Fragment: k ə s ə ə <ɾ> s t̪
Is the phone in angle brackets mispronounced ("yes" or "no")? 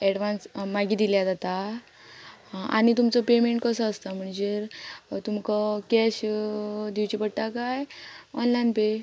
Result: yes